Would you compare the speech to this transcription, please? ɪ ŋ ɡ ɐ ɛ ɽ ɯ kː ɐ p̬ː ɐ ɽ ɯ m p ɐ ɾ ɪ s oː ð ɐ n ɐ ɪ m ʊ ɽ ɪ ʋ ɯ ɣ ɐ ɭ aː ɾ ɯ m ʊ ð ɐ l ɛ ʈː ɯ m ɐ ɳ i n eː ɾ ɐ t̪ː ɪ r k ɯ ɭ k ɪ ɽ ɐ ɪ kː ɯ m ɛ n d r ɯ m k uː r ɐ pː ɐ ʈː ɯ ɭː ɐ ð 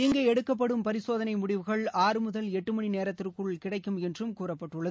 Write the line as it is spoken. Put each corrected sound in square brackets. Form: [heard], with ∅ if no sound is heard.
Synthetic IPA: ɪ ŋ ɡ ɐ ɛ ɽ ɯ kː ɐ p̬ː ɐ ɽ ɯ m p ɐ ɾ ɪ s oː ð ɐ n ɐ ɪ m ʊ ɽ ɪ ʋ ɯ ɣ ɐ ɭ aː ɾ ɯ m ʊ ð ɐ l ɛ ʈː ɯ m ɐ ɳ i n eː ɾ ɐ t̪ː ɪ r k ɯ ɭ k ɪ ɽ ɐ ɪ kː ɯ m ɛ n d r ɯ m k uː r ɐ pː ɐ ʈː ɯ ɭː ɐ ð